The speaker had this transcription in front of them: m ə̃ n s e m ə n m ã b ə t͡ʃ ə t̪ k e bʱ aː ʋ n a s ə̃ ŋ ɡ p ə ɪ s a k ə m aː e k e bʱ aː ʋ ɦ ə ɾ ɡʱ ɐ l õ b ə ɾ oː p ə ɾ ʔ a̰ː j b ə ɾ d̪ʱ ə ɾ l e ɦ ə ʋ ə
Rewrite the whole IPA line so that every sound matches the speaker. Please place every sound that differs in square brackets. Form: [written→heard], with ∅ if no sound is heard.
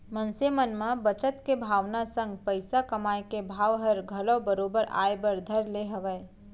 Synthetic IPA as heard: m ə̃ n s e m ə n m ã b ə t͡ʃ ə t̪ k e bʱ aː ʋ n a s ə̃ ŋ ɡ p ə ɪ s a k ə m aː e k e bʱ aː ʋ ɦ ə ɾ ɡʱ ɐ l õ b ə ɾ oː [p→b] ə ɾ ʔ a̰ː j b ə ɾ d̪ʱ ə ɾ l e ɦ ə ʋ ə

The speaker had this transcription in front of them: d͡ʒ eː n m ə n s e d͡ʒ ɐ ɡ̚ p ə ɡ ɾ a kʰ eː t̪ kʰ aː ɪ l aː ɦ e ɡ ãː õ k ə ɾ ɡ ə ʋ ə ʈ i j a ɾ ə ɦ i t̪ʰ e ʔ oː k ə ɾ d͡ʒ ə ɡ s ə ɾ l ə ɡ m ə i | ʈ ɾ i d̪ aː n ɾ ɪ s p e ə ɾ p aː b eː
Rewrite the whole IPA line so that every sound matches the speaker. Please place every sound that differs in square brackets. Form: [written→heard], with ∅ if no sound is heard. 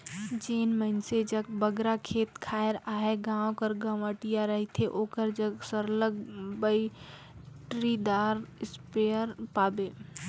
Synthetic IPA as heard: d͡ʒ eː n m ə n s e d͡ʒ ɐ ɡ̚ [p→b] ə ɡ ɾ a kʰ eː t̪ kʰ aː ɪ [l→ɾ] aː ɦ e ɡ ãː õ k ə ɾ ɡ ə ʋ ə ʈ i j a ɾ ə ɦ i t̪ʰ e ʔ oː k ə ɾ d͡ʒ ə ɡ s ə ɾ l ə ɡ [m→b] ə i | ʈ ɾ i d̪ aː [n→∅] ɾ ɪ s p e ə ɾ p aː b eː

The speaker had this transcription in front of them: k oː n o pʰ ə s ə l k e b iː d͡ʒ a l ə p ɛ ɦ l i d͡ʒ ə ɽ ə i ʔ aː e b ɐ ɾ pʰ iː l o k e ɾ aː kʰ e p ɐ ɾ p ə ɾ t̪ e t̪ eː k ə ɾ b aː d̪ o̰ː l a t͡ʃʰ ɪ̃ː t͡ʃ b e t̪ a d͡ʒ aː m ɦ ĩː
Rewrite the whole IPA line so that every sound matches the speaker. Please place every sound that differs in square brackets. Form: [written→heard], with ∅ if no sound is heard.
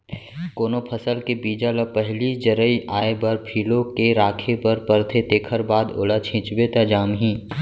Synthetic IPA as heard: k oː n o pʰ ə s ə l k e b iː d͡ʒ a l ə p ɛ ɦ l i d͡ʒ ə [ɽ→ɾ] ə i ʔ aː e b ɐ ɾ pʰ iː l o k e ɾ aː kʰ e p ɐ ɾ p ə ɾ [t̪→t̪ʰ] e t̪ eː [k→kʰ] ə ɾ b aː d̪ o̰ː l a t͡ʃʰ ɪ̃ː t͡ʃ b e t̪ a d͡ʒ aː m ɦ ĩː

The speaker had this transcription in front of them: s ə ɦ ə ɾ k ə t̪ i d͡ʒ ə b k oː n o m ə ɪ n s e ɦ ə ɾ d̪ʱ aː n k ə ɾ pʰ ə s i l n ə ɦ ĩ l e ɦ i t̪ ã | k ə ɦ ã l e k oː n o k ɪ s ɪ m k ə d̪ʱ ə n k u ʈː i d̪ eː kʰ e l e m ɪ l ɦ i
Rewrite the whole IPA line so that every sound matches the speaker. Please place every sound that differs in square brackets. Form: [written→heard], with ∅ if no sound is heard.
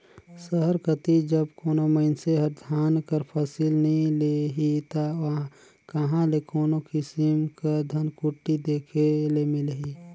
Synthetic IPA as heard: s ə ɦ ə ɾ k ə t̪ i d͡ʒ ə b k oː n o m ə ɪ n s e ɦ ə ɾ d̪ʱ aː n k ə ɾ pʰ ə s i l n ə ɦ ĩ l e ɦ i t̪ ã | k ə ɦ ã l e k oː n o k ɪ s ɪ m k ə d̪ʱ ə n k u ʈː i d̪ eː kʰ e l e m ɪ l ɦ i

